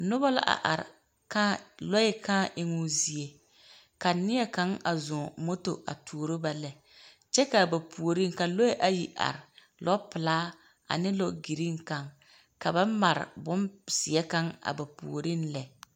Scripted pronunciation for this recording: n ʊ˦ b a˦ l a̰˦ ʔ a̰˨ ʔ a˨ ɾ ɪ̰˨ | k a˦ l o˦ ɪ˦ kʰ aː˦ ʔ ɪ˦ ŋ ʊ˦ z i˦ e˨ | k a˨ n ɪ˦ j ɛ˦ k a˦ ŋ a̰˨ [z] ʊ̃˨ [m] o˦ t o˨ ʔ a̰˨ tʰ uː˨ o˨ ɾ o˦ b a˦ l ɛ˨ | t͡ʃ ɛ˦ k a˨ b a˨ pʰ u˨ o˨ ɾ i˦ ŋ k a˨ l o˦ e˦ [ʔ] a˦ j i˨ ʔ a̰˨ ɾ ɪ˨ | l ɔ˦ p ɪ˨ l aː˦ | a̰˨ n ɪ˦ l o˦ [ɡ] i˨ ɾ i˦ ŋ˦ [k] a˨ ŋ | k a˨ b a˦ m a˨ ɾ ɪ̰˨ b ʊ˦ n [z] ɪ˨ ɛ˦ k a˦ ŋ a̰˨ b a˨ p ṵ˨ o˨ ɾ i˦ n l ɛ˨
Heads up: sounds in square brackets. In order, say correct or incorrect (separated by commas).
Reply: correct, correct, correct, correct, correct, incorrect